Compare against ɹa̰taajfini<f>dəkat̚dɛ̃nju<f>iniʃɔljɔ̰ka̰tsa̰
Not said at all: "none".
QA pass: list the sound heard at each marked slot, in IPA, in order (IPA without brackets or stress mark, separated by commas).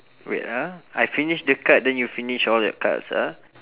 ʃ, f